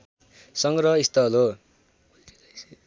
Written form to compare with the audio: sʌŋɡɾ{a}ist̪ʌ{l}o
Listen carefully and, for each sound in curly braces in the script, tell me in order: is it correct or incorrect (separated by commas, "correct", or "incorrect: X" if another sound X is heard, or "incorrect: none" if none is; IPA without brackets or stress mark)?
incorrect: ʌ, correct